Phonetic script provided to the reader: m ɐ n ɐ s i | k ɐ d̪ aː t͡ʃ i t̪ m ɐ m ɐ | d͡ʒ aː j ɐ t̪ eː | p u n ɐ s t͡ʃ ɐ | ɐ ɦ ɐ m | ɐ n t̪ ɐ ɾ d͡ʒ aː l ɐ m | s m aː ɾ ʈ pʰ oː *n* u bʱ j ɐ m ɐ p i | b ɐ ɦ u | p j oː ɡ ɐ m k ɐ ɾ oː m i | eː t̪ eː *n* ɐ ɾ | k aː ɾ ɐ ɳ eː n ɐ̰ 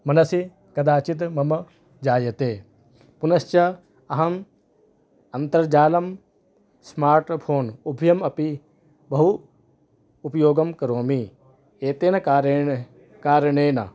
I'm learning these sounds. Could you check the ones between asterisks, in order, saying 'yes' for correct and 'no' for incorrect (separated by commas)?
yes, yes